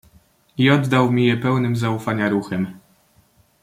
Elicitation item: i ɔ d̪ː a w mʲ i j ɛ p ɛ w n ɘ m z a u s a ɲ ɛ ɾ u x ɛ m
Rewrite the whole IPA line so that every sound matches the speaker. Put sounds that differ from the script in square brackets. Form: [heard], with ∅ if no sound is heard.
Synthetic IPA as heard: i ɔ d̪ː a w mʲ i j ɛ p ɛ w n ɘ m z a u [f] a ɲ [a] ɾ u x ɛ m